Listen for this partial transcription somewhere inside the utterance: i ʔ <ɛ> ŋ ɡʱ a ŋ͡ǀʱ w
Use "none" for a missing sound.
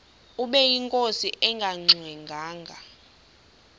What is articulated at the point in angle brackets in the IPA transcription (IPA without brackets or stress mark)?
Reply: ɛ